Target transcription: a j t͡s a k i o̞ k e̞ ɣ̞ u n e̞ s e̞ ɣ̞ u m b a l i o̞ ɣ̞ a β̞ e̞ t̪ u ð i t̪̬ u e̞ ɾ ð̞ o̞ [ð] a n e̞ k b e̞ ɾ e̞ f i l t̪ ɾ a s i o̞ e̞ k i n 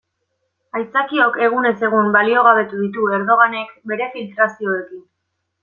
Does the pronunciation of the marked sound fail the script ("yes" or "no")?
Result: yes